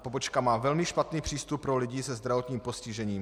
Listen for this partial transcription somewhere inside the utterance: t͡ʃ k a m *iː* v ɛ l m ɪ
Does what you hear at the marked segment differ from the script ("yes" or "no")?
yes